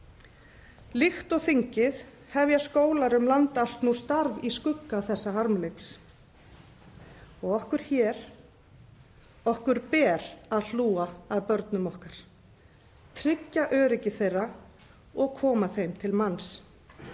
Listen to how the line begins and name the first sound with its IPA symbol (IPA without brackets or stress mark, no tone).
l